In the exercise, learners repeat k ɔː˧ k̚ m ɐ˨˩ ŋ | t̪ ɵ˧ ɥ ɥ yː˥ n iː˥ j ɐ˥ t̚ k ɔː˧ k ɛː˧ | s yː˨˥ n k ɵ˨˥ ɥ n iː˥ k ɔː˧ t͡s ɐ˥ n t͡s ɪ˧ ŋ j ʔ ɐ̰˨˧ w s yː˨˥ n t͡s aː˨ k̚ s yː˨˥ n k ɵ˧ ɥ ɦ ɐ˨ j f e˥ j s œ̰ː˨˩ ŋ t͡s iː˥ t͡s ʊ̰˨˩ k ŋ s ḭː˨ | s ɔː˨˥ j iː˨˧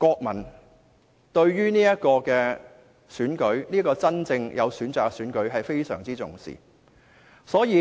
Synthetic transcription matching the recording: k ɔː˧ k̚ m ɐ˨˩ n | t̪ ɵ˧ ɥ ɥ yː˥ n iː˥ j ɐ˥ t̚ k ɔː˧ k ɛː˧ | s yː˨˥ n k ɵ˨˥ ɥ n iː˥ k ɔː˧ t͡s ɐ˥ n t͡s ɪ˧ ŋ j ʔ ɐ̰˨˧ w s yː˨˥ n t͡s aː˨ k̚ s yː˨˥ n k ɵ˨˥ ɥ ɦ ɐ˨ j f e˥ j s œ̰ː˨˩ ŋ t͡s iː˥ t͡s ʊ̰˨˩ ŋ s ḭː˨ | s ɔː˨˥ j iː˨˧